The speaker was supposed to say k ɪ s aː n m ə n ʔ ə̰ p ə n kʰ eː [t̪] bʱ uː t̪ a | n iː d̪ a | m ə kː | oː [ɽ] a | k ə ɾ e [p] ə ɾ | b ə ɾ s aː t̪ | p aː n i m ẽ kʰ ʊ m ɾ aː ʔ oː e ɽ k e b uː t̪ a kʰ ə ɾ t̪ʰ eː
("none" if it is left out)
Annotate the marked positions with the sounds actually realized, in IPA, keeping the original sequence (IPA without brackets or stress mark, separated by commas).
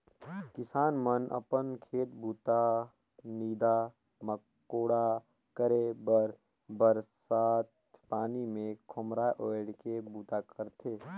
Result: t̪, ɽ, b